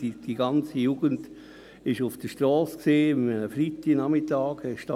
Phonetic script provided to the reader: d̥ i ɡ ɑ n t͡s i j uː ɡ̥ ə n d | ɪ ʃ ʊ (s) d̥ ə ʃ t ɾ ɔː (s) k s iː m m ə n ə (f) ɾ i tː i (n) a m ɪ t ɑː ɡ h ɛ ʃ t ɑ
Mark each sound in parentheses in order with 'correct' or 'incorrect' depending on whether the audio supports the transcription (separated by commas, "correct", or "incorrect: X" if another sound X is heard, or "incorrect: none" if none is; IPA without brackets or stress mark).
incorrect: f, correct, correct, correct